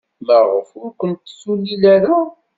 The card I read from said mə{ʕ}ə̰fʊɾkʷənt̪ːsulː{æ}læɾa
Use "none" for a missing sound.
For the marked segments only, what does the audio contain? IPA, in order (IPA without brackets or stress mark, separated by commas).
ʁ, i